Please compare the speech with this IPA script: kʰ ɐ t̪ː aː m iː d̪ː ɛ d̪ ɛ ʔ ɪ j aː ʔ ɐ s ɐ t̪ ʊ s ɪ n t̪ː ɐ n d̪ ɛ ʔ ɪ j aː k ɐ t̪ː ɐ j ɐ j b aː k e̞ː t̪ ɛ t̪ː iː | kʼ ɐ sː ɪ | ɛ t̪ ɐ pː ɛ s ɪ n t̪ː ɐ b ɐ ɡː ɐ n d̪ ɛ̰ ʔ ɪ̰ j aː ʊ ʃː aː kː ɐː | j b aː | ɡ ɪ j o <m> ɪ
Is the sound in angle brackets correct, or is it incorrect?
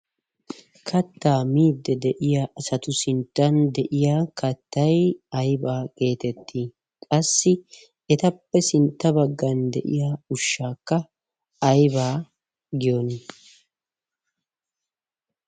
incorrect